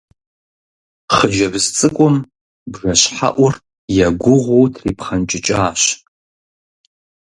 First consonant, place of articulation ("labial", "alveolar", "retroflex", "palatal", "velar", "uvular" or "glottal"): uvular